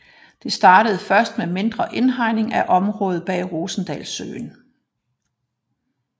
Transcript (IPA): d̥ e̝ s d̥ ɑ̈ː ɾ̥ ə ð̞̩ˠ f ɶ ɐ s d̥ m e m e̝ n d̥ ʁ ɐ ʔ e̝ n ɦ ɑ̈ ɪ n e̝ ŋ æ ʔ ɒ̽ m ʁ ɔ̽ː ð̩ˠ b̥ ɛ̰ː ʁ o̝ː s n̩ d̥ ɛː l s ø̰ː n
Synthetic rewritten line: d̥ e̝ s d̥ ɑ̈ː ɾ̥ ə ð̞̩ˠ f ɶ ɐ s d̥ m e m e̝ n d̥ ʁ ɐ ʔ e̝ n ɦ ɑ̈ ɪ n e̝ ŋ æ ʔ ɒ̽ m ʁ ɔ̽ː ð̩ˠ b̥ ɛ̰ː ʁ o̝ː s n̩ d̥ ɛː l s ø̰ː n